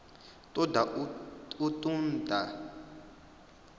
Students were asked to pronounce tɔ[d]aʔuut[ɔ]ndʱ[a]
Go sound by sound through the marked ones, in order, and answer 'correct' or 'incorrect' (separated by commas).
correct, incorrect, correct